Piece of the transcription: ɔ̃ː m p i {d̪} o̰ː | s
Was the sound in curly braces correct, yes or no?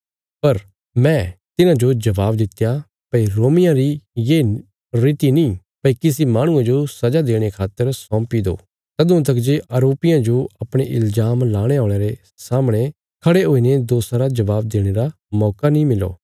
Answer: yes